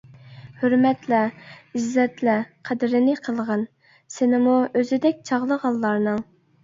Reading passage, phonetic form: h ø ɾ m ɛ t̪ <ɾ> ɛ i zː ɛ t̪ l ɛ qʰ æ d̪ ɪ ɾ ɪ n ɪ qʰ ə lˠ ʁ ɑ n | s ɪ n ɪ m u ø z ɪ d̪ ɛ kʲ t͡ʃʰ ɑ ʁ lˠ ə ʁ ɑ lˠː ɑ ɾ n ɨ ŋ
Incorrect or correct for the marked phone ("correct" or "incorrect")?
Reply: incorrect